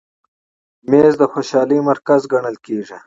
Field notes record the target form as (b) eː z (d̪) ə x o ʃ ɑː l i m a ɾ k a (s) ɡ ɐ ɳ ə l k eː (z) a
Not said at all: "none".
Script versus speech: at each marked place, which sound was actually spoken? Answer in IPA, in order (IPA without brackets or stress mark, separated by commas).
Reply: m, d̪, z, ʐ